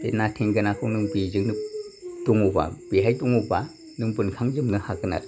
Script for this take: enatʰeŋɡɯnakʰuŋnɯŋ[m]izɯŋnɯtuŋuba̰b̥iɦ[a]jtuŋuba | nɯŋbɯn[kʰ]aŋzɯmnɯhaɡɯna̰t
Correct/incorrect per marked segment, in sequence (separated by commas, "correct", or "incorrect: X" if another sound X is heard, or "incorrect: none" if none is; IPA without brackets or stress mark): incorrect: b, correct, correct